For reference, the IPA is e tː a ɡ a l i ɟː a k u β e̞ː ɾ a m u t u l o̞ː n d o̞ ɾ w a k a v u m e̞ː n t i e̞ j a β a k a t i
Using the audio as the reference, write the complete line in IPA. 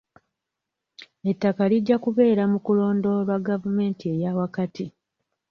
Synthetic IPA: e tː a k a l i ɟː a k u β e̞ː ɾ a m u k u l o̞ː n d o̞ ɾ w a ɡ a v u m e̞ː n t i e̞ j a w a k a t i